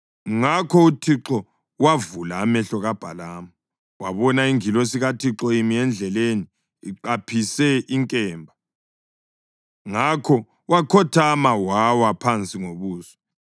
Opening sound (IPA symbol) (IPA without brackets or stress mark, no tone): ŋ